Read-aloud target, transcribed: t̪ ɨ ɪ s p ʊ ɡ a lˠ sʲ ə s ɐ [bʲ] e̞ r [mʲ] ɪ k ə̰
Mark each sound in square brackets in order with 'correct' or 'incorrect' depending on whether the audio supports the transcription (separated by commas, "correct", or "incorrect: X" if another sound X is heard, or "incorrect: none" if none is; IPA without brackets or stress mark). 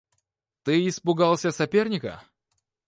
incorrect: pʲ, incorrect: nʲ